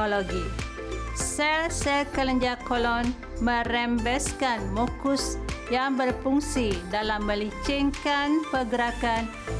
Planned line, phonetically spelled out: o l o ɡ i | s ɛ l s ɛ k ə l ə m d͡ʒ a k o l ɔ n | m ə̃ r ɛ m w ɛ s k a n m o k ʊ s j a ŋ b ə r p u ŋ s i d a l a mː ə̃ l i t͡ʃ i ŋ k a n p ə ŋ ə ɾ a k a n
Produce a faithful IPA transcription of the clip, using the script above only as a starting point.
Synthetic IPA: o l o ɡ i | s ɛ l s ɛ k ə l ə ɲ d͡ʒ a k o l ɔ n | m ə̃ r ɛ m b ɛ s k a n m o k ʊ s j a ŋ b ə r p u ŋ s i d a l a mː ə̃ l i t͡ʃ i ŋ k a n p ə ɡ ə ɾ a k a n